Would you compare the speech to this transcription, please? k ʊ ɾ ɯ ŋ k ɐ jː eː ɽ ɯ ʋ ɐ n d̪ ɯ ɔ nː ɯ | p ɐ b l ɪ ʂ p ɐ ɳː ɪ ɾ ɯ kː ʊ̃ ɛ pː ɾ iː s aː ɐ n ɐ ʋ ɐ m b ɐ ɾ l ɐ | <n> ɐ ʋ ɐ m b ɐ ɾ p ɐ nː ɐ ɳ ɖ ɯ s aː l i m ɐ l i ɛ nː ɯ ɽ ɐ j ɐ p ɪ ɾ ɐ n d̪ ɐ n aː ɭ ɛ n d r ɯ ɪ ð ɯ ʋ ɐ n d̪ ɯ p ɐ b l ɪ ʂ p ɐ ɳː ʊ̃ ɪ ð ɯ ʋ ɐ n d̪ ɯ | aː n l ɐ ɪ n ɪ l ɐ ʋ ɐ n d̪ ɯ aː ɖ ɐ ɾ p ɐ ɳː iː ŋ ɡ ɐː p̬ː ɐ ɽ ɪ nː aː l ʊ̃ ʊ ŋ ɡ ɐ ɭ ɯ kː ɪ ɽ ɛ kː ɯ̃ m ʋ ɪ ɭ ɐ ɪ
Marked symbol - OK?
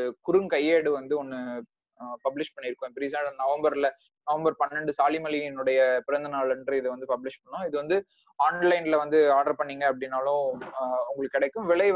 yes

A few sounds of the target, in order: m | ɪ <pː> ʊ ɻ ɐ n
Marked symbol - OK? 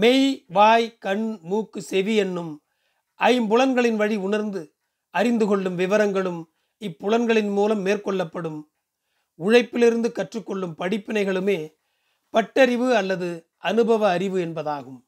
yes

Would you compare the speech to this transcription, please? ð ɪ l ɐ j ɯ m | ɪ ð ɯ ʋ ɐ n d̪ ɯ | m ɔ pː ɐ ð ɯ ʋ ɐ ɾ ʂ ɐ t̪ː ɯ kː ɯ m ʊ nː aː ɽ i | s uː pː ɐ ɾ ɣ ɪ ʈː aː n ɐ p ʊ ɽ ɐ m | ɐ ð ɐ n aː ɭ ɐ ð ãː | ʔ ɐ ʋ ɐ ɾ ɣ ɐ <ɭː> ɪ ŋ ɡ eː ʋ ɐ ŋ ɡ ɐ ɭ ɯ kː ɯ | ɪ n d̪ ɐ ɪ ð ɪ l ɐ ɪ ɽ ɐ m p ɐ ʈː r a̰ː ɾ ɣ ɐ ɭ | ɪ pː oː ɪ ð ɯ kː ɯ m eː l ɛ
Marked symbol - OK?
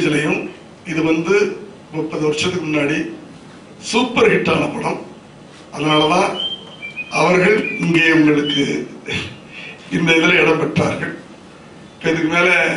no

